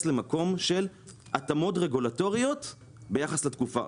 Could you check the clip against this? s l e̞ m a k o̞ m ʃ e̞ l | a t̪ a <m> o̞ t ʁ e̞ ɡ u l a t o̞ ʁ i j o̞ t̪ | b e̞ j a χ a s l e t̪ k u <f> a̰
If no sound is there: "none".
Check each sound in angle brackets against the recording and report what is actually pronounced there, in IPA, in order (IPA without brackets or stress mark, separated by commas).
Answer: m, f